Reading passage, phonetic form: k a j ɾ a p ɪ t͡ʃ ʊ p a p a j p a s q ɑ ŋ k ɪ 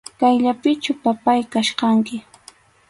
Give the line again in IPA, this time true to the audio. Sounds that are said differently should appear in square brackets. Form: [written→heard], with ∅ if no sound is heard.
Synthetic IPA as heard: k a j [ɾ→ʎ] a p ɪ t͡ʃ ʊ p a p a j [p→k] a [s→ʃ] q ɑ ŋ k ɪ